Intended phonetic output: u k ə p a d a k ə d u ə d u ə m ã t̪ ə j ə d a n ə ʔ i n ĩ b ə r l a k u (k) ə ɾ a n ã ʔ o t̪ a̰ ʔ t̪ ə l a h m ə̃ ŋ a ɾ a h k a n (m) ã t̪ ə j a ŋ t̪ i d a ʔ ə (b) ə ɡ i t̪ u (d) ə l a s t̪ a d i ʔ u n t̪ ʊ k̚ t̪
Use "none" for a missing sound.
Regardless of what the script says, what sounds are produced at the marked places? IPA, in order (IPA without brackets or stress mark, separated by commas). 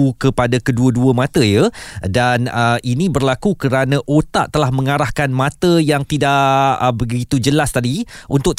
k, m, b, d͡ʒ